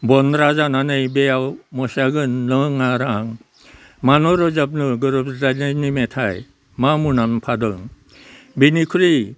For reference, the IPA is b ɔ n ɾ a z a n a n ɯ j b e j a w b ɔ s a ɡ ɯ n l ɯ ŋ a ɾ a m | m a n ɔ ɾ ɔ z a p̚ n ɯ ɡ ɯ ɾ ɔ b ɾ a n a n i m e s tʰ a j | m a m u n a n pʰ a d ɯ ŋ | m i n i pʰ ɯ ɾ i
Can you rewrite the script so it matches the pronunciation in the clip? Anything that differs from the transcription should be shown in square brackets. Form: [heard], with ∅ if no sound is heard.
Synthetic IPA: b ɔ n ɾ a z a n a n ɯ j b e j a w [m] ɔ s a ɡ ɯ n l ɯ ŋ a ɾ a [ŋ] | m a n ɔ ɾ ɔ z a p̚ n ɯ ɡ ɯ ɾ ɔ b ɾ a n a n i m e [∅] tʰ a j | m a m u n a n pʰ a d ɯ ŋ | [b] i n i [kʰ] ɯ ɾ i